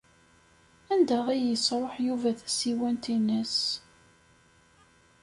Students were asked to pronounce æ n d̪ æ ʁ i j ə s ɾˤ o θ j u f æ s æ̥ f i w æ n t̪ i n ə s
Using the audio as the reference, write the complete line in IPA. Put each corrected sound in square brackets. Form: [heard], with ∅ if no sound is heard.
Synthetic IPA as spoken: æ n d̪ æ ʁ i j ə s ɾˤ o [ħ] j u [v] æ [θ] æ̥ [s] i w æ n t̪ i n ə s